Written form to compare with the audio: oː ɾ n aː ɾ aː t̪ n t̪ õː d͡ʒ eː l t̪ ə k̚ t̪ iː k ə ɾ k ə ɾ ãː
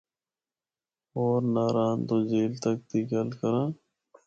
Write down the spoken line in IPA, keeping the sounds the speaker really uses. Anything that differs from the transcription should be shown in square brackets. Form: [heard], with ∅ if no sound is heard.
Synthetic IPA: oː ɾ n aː ɾ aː [∅] n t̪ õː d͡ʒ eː l t̪ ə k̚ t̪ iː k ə [l] k ə ɾ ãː